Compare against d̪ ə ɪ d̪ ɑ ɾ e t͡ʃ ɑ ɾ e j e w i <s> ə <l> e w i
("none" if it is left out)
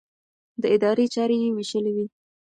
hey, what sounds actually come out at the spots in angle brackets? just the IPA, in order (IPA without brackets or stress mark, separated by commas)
ʃ, l